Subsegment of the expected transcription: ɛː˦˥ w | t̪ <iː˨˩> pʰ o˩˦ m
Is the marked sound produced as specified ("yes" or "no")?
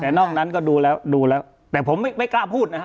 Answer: no